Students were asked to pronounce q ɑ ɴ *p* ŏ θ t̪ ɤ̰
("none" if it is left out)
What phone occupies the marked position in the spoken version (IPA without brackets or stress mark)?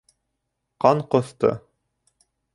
q